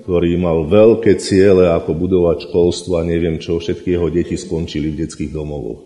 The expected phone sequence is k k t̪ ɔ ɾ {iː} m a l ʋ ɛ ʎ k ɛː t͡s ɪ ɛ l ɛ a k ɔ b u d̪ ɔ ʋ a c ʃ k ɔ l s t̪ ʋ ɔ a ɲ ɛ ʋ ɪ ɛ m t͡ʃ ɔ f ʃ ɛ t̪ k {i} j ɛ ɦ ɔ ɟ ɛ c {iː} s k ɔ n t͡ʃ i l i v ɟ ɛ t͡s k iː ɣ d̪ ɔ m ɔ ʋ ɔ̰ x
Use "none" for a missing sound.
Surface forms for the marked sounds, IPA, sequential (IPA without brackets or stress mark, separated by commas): iː, i, i